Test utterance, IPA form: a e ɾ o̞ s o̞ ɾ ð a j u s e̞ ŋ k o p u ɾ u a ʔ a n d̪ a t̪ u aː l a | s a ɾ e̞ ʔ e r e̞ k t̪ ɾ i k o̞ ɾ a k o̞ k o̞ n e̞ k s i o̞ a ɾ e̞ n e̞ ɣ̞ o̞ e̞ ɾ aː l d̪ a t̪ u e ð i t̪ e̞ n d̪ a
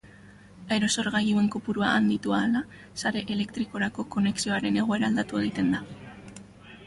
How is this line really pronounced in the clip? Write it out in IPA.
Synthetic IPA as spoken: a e ɾ o̞ s o̞ ɾ ɣ a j u e̞ ŋ k o p u ɾ u a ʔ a n d̪ i t̪ u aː l a | s a ɾ e̞ ʔ e l e̞ k t̪ ɾ i k o̞ ɾ a k o̞ k o̞ n e̞ k s i o̞ a ɾ e̞ n e̞ ɣ̞ o̞ e̞ ɾ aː l d̪ a t̪ u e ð i t̪ e̞ n d̪ a